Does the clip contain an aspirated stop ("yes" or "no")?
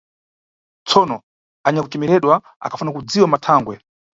yes